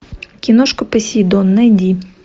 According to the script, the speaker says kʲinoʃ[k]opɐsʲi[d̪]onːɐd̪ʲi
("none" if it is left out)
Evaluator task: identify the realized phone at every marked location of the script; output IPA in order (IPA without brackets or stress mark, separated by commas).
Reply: k, d̪